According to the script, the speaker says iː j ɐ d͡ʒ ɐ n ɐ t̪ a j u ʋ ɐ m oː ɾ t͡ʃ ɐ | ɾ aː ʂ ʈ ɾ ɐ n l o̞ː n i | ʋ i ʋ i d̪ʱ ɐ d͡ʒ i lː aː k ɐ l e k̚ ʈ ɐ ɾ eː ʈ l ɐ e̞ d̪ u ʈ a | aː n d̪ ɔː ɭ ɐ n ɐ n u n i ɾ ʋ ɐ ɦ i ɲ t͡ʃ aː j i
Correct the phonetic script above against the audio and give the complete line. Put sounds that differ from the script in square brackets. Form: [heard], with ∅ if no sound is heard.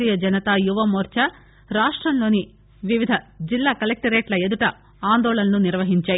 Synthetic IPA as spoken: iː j ɐ d͡ʒ ɐ n ɐ t̪ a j u ʋ ɐ m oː ɾ t͡ʃ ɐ | ɾ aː ʂ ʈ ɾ ɐ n l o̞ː n i | ʋ i ʋ i d̪ʱ ɐ d͡ʒ i lː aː k ɐ l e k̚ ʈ ɐ ɾ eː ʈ l ɐ e̞ d̪ u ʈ [ɐ] | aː n d̪ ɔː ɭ ɐ n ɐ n u n i ɾ ʋ ɐ ɦ i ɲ t͡ʃ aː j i